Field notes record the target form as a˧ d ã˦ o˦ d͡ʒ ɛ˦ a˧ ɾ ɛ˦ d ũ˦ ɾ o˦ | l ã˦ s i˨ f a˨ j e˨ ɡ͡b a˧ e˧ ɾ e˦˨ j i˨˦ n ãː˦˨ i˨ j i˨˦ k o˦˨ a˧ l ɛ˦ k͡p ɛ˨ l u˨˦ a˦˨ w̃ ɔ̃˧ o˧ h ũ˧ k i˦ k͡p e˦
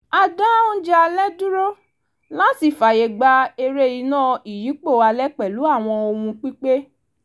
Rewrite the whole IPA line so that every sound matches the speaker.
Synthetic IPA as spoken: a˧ d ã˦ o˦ d͡ʒ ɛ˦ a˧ l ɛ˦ d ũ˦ ɾ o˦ | l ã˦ s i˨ f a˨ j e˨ ɡ͡b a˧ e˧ ɾ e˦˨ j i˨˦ n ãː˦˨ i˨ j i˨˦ k͡p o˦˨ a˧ l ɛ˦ k͡p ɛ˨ l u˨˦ a˦˨ w̃ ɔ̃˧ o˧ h ũ˧ k͡p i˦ k͡p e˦